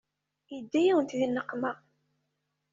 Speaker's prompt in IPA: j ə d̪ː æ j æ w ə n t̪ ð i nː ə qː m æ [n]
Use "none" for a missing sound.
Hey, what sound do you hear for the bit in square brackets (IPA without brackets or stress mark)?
none